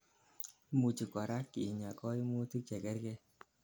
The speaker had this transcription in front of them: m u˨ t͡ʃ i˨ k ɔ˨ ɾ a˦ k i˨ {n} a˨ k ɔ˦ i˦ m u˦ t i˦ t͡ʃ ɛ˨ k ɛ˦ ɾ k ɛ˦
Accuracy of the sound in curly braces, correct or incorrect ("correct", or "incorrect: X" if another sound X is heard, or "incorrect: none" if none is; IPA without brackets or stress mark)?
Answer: incorrect: ɲ